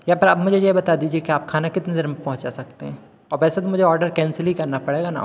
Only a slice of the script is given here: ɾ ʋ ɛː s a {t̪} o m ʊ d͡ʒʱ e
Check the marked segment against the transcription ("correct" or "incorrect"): correct